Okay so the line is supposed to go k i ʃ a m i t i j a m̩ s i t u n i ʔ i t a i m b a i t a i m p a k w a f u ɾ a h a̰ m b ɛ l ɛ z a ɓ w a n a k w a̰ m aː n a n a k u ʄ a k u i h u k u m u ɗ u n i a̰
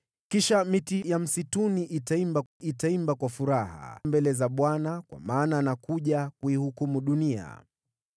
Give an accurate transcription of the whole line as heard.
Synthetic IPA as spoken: k i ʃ a m i t i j a m̩ s i t u n i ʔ i t a i m b a i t a i m b a k w a f u ɾ a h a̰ m b ɛ l ɛ z a ɓ w a n a k w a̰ m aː n a n a k u ʄ a k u i h u k u m u ɗ u n i a̰